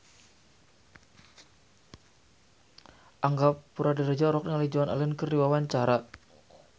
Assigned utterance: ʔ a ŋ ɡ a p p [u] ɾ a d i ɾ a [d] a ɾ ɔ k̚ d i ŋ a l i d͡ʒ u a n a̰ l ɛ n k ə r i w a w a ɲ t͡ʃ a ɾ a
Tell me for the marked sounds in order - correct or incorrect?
correct, incorrect

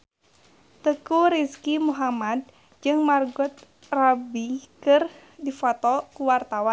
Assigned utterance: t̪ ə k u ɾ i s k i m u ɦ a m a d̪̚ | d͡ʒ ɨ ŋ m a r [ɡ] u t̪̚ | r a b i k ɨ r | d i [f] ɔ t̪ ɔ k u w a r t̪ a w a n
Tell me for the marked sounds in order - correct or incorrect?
correct, correct

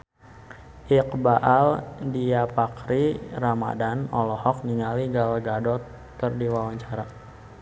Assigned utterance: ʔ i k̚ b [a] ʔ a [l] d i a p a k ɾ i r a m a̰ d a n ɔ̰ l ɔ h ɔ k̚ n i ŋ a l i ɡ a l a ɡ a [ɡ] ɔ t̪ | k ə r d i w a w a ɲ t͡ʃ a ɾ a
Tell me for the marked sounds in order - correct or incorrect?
correct, correct, incorrect

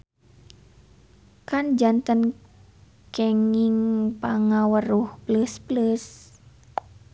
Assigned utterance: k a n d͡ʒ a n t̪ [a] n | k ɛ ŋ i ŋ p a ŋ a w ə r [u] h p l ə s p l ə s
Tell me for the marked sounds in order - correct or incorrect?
incorrect, correct

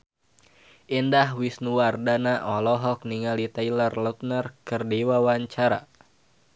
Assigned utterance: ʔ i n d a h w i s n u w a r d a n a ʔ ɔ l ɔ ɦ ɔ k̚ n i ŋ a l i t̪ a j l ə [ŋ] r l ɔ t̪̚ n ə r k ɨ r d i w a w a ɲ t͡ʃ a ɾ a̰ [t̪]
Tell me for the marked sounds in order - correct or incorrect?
incorrect, incorrect

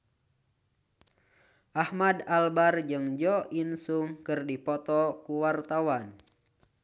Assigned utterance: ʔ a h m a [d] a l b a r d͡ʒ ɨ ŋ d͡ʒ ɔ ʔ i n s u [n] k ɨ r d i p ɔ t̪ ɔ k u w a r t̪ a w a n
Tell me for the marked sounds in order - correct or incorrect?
correct, incorrect

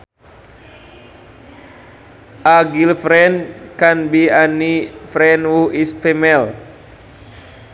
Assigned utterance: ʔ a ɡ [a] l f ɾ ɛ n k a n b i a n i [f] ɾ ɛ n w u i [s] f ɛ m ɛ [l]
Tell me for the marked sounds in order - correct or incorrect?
incorrect, correct, correct, correct

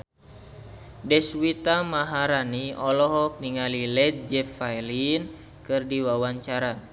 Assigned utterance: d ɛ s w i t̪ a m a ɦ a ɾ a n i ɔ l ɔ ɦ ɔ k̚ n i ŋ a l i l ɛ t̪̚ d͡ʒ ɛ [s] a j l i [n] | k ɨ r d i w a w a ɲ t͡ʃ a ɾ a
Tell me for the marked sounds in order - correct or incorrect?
incorrect, correct

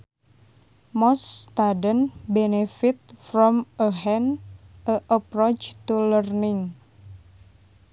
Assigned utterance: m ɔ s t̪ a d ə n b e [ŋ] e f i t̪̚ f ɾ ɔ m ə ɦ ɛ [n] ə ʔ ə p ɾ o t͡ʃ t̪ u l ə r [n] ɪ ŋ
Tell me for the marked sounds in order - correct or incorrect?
incorrect, correct, correct

